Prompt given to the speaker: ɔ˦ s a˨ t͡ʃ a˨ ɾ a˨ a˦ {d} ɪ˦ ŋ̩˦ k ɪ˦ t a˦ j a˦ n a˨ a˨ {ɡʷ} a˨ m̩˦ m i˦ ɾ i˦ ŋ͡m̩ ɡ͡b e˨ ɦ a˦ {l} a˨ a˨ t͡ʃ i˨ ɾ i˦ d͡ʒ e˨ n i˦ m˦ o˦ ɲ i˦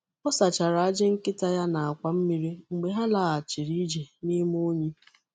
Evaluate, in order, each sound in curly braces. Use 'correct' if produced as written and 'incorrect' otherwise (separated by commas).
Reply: incorrect, incorrect, correct